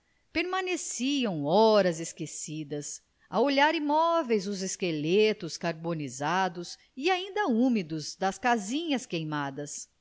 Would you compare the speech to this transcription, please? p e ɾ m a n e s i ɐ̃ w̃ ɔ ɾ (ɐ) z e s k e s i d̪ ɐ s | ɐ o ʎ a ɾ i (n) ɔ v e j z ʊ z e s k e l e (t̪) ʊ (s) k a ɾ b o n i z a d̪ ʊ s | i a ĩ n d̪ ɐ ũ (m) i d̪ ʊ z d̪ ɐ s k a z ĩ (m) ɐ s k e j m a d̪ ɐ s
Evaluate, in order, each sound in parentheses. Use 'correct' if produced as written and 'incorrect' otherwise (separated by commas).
correct, incorrect, correct, correct, correct, incorrect